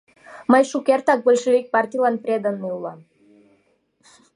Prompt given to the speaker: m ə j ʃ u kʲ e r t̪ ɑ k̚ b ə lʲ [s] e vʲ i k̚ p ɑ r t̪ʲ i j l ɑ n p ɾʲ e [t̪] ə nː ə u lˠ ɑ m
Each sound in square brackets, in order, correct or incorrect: incorrect: ʃ, incorrect: d̪

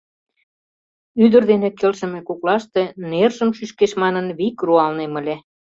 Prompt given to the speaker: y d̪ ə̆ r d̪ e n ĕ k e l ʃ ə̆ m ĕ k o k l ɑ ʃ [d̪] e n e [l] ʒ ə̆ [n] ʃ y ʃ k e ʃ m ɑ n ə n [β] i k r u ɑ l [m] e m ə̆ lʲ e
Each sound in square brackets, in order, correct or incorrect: incorrect: t̪, incorrect: r, incorrect: m, correct, incorrect: n

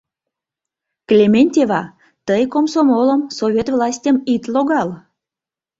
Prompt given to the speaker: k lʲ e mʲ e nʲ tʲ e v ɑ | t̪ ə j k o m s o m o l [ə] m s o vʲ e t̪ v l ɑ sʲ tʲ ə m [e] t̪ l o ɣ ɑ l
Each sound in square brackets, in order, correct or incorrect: correct, incorrect: i

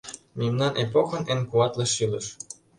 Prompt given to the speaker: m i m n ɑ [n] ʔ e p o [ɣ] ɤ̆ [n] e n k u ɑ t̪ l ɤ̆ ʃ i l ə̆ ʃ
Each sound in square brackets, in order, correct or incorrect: correct, incorrect: x, correct

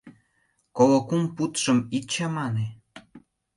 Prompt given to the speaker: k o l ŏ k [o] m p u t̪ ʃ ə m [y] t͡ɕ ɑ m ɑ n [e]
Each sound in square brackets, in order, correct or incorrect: incorrect: u, incorrect: i, correct

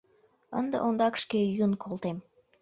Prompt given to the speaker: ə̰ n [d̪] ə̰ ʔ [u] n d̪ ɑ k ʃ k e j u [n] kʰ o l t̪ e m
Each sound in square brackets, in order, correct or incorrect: correct, incorrect: o, correct

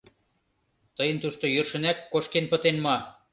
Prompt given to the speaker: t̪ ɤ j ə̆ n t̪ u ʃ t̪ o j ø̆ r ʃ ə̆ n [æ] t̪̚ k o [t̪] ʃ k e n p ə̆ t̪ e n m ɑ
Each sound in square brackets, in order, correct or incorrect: correct, incorrect: none

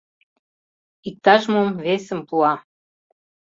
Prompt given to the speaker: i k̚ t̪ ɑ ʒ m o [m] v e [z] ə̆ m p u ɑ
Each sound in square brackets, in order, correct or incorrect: correct, incorrect: s

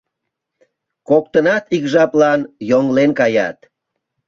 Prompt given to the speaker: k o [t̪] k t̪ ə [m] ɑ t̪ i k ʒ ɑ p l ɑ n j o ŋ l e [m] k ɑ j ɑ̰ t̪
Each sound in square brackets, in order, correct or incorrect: incorrect: none, incorrect: n, incorrect: n

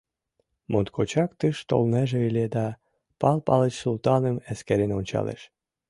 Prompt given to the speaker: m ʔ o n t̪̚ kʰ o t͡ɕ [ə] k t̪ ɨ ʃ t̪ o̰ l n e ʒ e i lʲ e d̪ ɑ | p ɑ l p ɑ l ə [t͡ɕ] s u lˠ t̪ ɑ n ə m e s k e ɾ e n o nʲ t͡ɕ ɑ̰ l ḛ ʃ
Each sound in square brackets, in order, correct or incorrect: incorrect: ɑ, correct

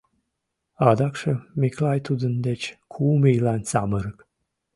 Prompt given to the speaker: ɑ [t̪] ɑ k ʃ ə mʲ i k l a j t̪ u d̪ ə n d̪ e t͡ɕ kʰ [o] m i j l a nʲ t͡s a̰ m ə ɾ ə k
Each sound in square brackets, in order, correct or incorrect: incorrect: d̪, incorrect: u

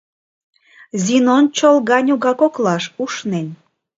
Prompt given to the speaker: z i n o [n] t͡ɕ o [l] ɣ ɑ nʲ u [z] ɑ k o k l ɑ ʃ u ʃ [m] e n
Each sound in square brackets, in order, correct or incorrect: correct, correct, incorrect: ɣ, incorrect: n

